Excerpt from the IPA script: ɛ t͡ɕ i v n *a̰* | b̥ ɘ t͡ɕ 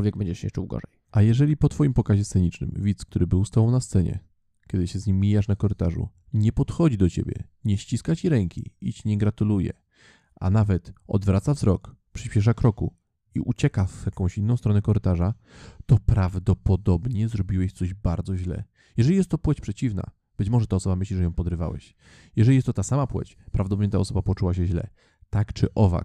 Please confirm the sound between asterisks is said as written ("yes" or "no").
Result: yes